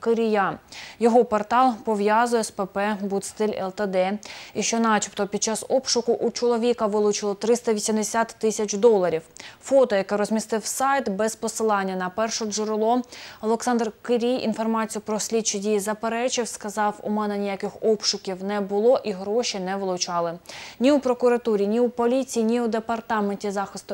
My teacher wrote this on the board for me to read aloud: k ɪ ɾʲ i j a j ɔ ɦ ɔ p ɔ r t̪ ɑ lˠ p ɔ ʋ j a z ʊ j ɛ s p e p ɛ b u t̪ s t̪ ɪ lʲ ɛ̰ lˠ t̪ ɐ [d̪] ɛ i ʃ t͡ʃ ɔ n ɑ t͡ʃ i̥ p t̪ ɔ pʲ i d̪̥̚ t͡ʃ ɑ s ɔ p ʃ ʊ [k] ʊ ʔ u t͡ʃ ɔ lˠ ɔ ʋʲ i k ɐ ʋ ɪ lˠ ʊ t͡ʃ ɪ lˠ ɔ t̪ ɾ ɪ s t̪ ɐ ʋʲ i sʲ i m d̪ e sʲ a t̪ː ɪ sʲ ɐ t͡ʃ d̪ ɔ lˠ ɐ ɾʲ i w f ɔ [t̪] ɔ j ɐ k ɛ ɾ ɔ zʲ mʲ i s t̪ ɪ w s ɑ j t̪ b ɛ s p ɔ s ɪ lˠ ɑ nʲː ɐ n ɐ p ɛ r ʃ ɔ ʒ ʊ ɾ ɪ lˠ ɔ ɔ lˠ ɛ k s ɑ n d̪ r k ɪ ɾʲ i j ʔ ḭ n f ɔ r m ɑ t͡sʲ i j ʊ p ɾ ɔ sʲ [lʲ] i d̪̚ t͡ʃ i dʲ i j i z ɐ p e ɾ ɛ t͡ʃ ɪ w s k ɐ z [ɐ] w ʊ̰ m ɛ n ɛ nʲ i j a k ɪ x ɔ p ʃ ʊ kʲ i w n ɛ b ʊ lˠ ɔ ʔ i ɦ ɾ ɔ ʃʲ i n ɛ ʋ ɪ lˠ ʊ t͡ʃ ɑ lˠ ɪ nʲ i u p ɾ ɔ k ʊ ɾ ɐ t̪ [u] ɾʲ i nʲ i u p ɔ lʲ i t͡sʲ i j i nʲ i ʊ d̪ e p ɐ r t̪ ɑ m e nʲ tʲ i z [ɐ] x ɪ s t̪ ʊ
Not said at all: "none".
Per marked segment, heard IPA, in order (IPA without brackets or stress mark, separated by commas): d̪, k, t̪, lʲ, ɑ, u, ɑ